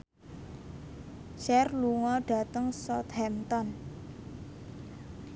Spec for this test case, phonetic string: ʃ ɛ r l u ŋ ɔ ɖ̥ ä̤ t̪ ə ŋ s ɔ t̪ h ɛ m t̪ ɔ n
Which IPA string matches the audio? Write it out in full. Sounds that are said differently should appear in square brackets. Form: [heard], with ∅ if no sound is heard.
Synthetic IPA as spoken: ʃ ɛ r l u ŋ ɔ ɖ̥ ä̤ t̪ ə ŋ s ɔ t̪ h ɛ m t̪ ɔ n